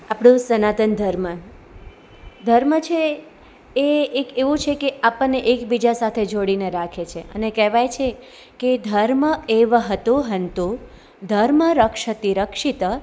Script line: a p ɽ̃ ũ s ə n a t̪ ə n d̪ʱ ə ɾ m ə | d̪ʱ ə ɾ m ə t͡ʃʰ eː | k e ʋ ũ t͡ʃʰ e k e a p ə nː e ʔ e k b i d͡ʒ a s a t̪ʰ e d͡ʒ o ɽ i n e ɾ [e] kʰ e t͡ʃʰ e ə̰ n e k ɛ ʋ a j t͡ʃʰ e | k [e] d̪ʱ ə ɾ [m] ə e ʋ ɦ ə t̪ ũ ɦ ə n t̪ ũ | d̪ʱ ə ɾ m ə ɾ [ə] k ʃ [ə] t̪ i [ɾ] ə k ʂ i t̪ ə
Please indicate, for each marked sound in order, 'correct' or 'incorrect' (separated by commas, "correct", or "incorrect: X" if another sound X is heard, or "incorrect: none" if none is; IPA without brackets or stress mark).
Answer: incorrect: a, correct, correct, correct, correct, correct